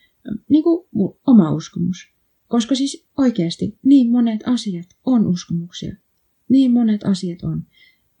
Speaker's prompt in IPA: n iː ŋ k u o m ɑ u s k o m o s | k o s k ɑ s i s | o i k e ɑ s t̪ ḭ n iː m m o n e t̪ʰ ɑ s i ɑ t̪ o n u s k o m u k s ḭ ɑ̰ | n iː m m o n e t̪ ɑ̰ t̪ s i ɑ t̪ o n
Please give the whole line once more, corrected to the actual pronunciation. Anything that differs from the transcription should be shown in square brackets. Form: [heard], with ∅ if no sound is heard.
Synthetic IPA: n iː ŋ k u o m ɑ u s k o m [u] s | k o s k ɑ s i s | o i k e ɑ s t̪ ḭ n iː m m o n e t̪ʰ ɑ s i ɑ t̪ o n u s k o m u k s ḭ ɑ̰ | n iː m m o n e t̪ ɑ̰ [∅] s i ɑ t̪ o n